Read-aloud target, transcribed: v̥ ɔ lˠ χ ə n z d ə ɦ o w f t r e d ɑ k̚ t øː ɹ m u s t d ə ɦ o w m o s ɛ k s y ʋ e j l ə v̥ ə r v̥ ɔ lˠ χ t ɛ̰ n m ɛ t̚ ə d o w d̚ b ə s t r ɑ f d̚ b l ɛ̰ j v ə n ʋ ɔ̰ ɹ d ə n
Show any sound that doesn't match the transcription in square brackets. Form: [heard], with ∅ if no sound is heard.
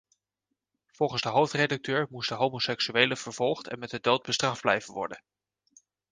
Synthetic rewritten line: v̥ ɔ lˠ χ ə n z d ə ɦ o w f t r e d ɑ k̚ t øː ɹ m u s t d ə ɦ o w m o s ɛ k s y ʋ e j l ə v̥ ə [ɹ] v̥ ɔ lˠ χ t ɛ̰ n m ɛ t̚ ə d o w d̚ b ə s t r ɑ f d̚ b l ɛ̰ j v ə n ʋ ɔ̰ ɹ d ə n